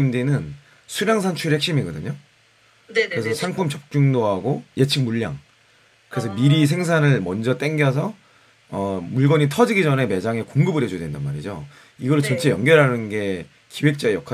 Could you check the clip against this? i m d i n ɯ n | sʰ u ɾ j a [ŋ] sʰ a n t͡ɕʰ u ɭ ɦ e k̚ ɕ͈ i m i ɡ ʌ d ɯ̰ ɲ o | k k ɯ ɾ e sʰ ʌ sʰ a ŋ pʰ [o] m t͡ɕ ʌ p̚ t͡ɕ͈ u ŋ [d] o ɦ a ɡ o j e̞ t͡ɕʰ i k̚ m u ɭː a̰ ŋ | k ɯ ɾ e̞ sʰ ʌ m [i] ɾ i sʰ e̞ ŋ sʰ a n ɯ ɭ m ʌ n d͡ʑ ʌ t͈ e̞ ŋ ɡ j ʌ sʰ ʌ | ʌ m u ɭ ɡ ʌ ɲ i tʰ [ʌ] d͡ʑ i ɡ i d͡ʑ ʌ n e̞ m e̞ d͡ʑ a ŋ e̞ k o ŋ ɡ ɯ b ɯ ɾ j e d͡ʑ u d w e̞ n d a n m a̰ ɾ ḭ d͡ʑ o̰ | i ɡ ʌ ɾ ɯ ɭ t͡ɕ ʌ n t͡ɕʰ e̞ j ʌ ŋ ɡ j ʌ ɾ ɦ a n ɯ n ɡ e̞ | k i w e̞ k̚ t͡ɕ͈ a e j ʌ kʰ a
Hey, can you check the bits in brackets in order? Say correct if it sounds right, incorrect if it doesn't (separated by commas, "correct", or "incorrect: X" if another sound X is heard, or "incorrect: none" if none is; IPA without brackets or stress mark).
correct, incorrect: u, correct, correct, correct